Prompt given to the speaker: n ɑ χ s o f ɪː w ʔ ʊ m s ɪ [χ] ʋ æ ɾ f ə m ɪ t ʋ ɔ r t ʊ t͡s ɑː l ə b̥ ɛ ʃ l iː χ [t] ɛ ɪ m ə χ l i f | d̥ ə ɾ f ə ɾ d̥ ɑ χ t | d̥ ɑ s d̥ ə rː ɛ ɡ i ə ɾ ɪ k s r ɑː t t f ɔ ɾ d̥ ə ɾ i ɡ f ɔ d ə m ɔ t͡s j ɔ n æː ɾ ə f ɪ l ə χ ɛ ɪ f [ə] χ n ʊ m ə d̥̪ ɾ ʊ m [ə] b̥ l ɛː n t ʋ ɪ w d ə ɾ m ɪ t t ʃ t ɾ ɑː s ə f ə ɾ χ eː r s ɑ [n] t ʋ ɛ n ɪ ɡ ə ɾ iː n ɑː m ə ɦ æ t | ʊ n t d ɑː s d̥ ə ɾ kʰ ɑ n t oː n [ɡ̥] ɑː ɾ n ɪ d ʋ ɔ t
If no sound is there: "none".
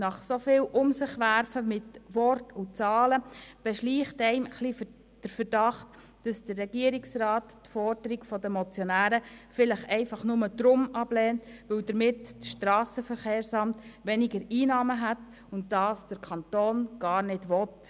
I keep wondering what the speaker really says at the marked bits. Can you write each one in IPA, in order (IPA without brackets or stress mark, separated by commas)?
χ, t, ɑ, ɑ, m, ɡ̥